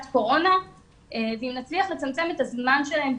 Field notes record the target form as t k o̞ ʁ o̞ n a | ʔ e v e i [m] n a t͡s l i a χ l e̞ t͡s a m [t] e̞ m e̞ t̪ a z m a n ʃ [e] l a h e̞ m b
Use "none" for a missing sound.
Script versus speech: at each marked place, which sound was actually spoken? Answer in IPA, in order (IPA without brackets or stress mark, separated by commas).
m, t͡s, e